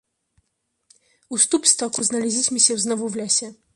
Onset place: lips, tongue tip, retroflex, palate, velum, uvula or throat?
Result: tongue tip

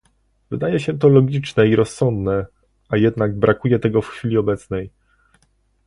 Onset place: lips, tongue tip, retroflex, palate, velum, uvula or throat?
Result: lips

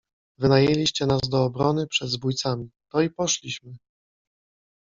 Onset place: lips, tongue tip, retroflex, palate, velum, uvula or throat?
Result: lips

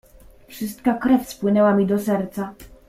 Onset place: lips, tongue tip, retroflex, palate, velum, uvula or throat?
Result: lips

